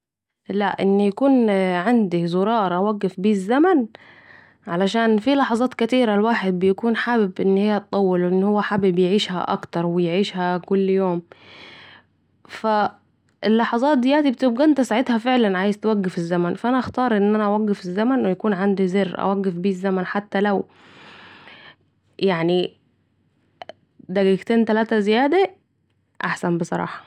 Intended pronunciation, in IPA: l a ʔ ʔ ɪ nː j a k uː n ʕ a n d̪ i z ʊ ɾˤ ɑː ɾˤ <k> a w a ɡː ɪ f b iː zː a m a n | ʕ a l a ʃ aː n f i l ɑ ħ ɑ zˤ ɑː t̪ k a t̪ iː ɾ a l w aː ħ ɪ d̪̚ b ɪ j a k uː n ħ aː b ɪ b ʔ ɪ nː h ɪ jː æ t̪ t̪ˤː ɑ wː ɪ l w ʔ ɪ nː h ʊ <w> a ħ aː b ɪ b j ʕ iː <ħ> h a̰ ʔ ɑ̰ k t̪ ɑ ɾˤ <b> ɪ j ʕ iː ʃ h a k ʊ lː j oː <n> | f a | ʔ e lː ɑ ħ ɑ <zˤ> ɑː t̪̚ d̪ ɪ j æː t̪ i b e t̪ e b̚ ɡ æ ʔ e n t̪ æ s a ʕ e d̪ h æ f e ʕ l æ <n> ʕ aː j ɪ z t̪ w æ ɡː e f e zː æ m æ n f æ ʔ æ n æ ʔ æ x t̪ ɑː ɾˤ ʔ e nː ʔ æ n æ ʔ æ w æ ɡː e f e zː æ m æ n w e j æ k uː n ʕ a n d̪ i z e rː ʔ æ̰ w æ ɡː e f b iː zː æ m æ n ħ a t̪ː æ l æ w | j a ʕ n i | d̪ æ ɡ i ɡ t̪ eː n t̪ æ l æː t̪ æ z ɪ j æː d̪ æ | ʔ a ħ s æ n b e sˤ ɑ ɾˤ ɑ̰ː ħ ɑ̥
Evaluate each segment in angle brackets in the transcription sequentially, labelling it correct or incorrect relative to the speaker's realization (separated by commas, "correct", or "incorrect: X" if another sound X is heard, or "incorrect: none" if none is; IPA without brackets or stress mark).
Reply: incorrect: ʔ, incorrect: wː, incorrect: ʃ, incorrect: w, incorrect: m, correct, correct